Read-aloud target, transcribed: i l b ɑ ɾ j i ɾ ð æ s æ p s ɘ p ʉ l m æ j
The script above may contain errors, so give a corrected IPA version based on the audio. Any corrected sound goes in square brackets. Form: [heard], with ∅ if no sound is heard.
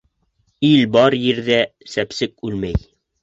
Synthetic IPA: i l b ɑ ɾ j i ɾ ð æ s æ p s ɘ [k] ʉ l m æ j

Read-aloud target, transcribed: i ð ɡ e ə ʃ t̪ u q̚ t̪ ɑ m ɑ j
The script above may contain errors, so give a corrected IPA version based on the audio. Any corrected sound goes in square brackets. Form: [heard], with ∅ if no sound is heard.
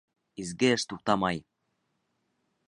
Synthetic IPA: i [z] ɡ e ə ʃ t̪ u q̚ t̪ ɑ m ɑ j

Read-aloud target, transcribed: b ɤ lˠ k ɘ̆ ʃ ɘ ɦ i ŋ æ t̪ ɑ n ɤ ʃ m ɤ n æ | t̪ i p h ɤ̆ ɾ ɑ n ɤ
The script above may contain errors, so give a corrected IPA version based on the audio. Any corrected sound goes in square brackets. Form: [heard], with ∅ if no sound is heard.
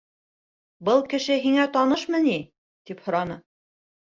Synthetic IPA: b ɤ lˠ k ɘ̆ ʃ ɘ ɦ i ŋ æ t̪ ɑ n ɤ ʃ m ɤ n [i] | t̪ i p h [ŏ] ɾ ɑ n ɤ

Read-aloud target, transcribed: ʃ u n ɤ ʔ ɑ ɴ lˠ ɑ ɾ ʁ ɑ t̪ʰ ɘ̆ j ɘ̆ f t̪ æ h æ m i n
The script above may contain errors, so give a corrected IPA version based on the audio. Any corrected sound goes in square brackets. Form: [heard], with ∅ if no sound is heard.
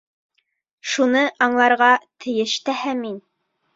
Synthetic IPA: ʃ u n ɤ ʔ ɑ ɴ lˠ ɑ ɾ ʁ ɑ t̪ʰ ɘ̆ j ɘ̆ [ʃ] t̪ æ h æ m i n

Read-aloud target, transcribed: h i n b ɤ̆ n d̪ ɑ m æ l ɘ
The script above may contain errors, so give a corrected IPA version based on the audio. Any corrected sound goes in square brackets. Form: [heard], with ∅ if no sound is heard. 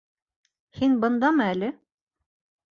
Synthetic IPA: h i n b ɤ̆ n d̪ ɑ m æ l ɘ

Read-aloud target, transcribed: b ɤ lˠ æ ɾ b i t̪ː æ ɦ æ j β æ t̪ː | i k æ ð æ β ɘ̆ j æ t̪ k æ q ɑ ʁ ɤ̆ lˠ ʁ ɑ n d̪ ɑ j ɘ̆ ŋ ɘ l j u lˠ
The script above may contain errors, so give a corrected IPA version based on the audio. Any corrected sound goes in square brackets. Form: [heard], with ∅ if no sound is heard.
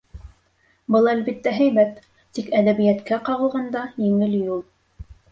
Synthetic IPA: b ɤ lˠ æ [l] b i t̪ː æ ɦ æ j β æ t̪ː | i k æ ð æ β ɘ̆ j æ t̪ k æ q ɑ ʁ ɤ̆ lˠ ʁ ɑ n d̪ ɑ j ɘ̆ ŋ ɘ l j u lˠ

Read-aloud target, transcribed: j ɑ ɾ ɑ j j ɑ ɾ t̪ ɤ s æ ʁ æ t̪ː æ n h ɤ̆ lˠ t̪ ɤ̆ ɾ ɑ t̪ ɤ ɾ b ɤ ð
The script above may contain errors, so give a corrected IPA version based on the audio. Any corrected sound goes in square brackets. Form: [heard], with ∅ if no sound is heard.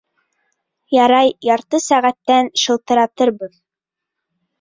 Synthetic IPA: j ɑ ɾ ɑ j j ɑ ɾ t̪ ɤ s æ ʁ æ t̪ː æ n [ʃ] ɤ̆ lˠ t̪ ɤ̆ ɾ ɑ t̪ ɤ ɾ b ɤ ð

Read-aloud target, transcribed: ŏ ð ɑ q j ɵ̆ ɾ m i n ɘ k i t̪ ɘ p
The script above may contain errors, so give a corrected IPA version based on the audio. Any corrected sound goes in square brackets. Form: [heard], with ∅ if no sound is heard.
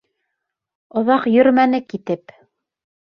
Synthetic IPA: ŏ ð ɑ q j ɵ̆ ɾ m [æ] n ɘ k i t̪ ɘ p

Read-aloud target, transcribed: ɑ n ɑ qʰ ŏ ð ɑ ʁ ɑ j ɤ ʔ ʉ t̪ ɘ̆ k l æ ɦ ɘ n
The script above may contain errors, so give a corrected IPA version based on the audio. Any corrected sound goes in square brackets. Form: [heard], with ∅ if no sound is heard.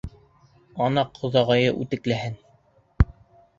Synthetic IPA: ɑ n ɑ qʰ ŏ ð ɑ ʁ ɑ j ɤ ʔ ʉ t̪ ɘ̆ k l æ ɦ ɘ n

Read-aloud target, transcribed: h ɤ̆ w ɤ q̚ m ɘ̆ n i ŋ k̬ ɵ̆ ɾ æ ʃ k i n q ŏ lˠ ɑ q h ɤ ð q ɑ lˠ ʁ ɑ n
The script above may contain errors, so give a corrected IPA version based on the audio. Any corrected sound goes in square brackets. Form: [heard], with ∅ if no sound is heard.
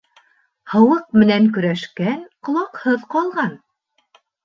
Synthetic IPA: h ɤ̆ w ɤ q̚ m ɘ̆ n [æ] ŋ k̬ ɵ̆ ɾ æ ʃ k [æ] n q ŏ lˠ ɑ q h ɤ ð q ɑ lˠ ʁ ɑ n

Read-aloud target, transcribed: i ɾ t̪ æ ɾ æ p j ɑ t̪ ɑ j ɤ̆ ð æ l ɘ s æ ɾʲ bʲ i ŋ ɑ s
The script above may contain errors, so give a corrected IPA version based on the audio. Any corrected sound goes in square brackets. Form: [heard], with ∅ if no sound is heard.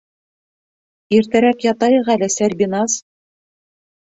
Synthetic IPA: i ɾ t̪ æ ɾ æ [k] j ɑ t̪ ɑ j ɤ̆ [ʁ] æ l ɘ s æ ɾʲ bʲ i [n] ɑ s

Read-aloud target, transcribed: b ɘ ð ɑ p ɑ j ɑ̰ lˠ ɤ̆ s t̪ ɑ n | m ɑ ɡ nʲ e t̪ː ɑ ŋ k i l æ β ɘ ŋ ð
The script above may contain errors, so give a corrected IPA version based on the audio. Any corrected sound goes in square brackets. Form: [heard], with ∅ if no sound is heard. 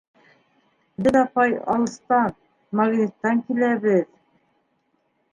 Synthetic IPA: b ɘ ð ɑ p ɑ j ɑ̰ lˠ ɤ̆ s t̪ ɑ n | m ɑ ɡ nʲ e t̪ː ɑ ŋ k i l æ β ɘ [∅] ð

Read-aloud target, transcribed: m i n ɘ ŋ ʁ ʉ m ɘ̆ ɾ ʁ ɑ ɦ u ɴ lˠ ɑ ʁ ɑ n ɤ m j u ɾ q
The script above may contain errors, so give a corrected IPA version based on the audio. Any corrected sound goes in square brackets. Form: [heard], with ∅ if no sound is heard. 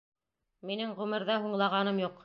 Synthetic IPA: m i n ɘ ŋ ʁ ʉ m ɘ̆ ɾ [ð] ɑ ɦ u ɴ lˠ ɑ ʁ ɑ n ɤ m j u [∅] q

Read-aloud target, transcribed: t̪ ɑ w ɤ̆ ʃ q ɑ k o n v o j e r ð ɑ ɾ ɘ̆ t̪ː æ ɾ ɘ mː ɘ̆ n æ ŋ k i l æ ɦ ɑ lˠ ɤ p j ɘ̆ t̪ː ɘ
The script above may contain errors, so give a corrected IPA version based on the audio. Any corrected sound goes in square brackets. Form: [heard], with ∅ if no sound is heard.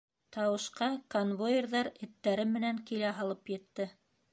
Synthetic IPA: t̪ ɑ w ɤ̆ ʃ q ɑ k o n v o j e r ð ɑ ɾ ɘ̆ t̪ː æ ɾ ɘ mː ɘ̆ n æ ŋ k i l æ ɦ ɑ lˠ ɤ p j ɘ̆ t̪ː ɘ

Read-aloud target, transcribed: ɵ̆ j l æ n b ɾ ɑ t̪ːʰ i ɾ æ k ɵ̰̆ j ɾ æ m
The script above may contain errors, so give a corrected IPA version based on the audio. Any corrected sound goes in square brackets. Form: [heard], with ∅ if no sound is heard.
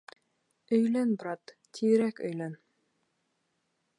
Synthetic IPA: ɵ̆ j l æ n b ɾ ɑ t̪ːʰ i ɾ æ k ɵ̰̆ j [l] æ [n]

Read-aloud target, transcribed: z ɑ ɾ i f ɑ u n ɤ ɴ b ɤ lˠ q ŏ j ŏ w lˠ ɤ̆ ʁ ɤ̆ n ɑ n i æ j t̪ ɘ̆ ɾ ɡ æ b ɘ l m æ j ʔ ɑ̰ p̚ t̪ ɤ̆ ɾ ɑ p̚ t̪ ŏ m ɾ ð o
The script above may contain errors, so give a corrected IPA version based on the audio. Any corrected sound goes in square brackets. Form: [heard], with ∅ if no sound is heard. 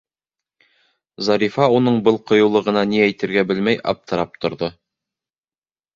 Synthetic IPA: z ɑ ɾ i f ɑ u n ɤ ɴ b ɤ lˠ q ŏ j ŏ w lˠ ɤ̆ ʁ ɤ̆ n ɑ n i æ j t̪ ɘ̆ ɾ ɡ æ b ɘ l m æ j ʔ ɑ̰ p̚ t̪ ɤ̆ ɾ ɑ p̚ t̪ ŏ [∅] ɾ ð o

